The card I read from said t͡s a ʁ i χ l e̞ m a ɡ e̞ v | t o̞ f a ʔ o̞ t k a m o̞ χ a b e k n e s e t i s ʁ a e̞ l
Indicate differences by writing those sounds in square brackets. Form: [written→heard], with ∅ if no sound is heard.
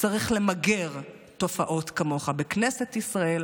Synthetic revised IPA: t͡s a ʁ i χ l e̞ m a ɡ e̞ [v→ʁ] | t o̞ f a ʔ o̞ t k a m o̞ χ a b e k n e s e t i s ʁ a e̞ l